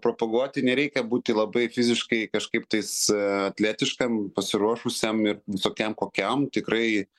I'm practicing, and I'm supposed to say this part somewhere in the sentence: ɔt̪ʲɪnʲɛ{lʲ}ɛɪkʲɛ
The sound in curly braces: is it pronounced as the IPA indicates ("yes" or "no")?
no